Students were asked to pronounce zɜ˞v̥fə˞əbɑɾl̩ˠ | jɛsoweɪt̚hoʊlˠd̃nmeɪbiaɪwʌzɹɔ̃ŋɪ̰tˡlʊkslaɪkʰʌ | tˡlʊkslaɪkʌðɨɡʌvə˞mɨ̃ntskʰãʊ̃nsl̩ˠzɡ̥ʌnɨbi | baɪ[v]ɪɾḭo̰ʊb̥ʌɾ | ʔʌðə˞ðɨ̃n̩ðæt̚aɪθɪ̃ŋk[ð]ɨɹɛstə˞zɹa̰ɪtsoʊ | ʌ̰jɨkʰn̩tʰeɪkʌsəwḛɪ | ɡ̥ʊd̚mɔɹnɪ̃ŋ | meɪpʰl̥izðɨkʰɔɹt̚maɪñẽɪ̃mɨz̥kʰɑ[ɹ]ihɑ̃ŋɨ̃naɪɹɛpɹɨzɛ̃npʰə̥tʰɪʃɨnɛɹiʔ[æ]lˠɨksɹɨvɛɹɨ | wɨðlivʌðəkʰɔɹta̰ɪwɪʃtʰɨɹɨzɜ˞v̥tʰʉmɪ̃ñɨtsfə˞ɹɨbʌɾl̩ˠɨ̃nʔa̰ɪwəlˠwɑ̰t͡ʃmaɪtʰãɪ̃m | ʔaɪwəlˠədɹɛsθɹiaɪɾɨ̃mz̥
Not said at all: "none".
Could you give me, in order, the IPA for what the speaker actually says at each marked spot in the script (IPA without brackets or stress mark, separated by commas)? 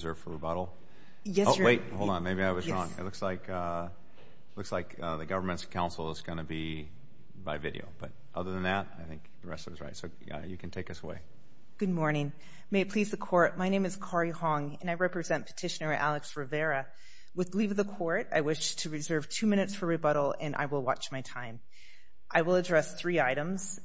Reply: v, ð, ɹ, æ